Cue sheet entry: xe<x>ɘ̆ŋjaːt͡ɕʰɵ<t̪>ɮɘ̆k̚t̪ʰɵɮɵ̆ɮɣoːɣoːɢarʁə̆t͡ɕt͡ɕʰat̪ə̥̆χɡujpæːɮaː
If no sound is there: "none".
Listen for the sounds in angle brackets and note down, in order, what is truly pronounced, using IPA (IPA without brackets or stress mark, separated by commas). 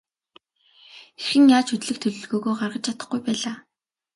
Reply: x, t̪